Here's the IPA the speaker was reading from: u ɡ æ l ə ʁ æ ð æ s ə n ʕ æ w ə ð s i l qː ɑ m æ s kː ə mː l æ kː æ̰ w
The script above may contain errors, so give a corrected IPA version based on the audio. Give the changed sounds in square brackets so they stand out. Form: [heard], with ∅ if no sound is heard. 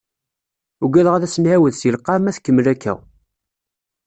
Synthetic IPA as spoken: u ɡ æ l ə ʁ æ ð æ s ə n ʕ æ w ə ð s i l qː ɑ m æ [θ] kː ə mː l æ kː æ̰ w